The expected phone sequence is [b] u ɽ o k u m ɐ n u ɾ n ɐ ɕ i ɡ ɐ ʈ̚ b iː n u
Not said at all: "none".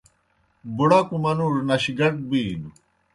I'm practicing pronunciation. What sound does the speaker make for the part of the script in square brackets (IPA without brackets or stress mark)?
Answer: b